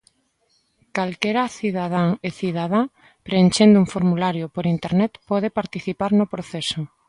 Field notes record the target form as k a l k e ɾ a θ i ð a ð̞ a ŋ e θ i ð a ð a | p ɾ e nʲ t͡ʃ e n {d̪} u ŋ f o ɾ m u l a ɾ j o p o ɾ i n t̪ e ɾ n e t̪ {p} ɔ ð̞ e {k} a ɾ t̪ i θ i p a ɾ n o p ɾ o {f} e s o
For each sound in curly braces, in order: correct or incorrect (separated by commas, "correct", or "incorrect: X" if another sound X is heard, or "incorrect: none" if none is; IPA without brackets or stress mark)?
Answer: correct, correct, incorrect: p, incorrect: θ